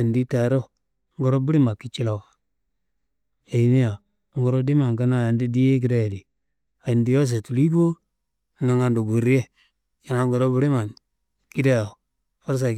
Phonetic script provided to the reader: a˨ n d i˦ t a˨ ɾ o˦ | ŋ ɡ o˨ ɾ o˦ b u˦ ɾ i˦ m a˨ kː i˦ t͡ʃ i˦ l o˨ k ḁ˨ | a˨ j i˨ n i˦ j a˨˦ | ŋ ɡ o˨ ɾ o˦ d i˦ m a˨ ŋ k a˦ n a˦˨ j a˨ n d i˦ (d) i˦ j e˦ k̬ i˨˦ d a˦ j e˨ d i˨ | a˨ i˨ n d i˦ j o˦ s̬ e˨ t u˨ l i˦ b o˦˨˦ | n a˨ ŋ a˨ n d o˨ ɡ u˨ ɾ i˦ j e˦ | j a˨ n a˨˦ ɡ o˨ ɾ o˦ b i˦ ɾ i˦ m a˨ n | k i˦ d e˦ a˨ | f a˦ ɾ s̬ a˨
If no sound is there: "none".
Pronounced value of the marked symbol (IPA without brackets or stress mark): d